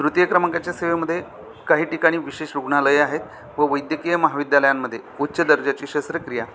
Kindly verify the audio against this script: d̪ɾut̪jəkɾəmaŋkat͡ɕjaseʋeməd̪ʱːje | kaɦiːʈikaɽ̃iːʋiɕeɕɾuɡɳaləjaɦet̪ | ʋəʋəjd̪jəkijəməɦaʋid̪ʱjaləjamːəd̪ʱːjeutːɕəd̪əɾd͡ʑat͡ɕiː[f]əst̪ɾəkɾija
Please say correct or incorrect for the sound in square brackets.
incorrect